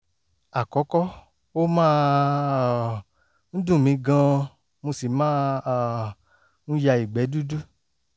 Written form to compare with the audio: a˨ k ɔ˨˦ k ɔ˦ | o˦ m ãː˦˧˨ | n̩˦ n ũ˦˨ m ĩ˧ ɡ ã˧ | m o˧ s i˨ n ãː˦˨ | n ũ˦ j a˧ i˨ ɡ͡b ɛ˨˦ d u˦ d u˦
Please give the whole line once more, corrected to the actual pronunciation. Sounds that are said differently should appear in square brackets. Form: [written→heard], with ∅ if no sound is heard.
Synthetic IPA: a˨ k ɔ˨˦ k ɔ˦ | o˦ m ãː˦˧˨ | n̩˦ [n→d] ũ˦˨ m ĩ˧ ɡ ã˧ | m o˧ s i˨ [n→m] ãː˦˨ | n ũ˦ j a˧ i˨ ɡ͡b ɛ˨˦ d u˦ d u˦